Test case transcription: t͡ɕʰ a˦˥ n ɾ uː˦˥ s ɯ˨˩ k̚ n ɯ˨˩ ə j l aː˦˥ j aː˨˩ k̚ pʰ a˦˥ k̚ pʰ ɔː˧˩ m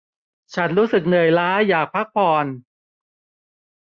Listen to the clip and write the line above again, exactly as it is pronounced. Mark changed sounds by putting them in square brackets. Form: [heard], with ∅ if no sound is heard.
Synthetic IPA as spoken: t͡ɕʰ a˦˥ n ɾ uː˦˥ s ɯ˨˩ k̚ n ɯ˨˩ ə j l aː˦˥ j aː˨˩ k̚ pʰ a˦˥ k̚ pʰ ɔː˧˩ [n]